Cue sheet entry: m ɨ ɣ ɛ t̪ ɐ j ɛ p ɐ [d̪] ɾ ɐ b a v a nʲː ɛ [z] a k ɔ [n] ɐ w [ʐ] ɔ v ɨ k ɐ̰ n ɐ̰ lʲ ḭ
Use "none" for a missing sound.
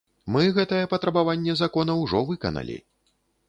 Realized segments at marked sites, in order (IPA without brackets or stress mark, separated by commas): t̪, z, n, ʐ